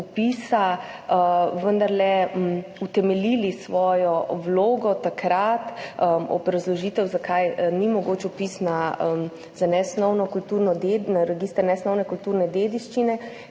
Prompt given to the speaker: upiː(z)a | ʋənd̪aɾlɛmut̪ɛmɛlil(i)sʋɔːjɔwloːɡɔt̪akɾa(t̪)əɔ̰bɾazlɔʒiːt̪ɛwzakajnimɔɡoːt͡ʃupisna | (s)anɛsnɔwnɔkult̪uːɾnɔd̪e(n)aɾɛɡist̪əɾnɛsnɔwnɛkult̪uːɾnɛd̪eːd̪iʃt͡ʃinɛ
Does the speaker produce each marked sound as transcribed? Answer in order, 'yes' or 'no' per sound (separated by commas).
no, yes, yes, no, yes